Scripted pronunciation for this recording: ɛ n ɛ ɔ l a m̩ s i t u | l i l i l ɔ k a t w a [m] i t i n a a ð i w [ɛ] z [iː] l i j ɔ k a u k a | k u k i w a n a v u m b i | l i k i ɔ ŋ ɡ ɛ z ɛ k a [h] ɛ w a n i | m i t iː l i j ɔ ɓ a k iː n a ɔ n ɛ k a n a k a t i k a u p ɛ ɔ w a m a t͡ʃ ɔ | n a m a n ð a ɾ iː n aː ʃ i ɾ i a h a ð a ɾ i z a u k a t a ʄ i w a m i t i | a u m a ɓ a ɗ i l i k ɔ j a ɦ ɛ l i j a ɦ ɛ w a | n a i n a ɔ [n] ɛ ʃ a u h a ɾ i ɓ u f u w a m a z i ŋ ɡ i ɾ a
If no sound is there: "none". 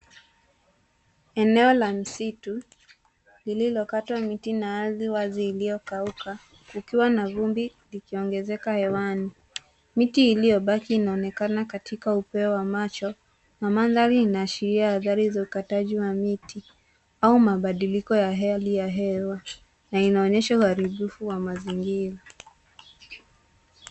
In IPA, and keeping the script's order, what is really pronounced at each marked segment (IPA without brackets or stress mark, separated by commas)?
m, a, iː, h, ɲ